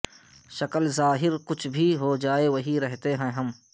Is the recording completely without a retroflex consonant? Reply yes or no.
yes